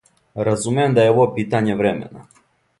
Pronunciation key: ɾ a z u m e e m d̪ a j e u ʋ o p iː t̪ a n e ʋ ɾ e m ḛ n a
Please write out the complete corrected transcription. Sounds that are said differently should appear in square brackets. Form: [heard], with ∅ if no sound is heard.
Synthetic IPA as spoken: ɾ a z u m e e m d̪ a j e [o] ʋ o p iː t̪ a [ɲ] e ʋ ɾ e m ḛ n a

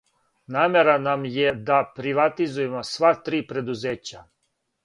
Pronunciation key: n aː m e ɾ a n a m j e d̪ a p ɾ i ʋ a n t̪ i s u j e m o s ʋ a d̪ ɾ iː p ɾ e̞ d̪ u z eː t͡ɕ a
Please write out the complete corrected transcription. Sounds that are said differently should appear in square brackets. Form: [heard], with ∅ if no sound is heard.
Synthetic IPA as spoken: n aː m e ɾ a n a m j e d̪ a p ɾ i ʋ a [∅] t̪ i [z] u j e m o s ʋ a [t̪] ɾ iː p ɾ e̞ d̪ u z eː t͡ɕ a

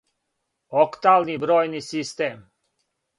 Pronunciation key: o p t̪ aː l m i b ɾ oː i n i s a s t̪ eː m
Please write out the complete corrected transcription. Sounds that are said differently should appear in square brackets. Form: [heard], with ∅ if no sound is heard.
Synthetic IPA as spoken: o [k] t̪ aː l [n] i b ɾ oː [j] n i s [i] s t̪ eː m

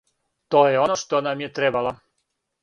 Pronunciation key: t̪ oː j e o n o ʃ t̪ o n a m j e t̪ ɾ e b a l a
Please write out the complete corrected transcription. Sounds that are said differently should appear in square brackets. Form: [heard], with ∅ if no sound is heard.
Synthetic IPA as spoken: t̪ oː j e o n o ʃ t̪ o n a m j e t̪ ɾ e b a l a

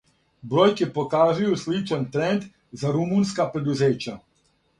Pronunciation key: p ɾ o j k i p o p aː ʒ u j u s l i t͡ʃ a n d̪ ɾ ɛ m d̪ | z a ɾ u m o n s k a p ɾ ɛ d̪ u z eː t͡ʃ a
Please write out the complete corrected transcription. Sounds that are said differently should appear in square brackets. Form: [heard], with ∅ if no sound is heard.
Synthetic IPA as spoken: [b] ɾ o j k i p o [k] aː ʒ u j u s l i t͡ʃ a n [t̪] ɾ ɛ [n] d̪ | z a ɾ u m [u] n s k a p ɾ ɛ d̪ u z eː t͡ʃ a

